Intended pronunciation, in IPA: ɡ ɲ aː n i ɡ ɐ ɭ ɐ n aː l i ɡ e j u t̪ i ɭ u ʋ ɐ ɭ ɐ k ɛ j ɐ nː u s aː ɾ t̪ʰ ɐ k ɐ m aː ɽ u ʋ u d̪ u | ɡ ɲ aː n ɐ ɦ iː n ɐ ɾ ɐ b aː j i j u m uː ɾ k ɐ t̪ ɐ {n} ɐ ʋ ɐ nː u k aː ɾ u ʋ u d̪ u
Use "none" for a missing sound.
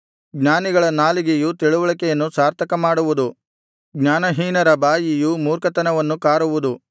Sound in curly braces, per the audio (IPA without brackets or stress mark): n